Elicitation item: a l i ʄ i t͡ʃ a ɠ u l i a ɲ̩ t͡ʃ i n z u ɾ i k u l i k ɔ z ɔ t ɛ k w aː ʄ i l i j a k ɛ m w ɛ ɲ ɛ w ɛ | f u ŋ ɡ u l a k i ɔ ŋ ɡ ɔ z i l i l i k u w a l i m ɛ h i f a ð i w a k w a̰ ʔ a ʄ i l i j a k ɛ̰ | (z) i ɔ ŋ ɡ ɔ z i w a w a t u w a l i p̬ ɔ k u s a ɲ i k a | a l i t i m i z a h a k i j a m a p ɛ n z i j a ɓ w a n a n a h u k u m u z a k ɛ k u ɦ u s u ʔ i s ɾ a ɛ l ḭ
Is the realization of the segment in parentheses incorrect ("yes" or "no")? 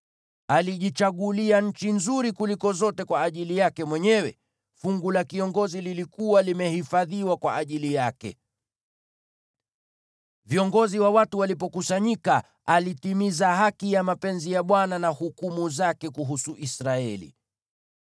yes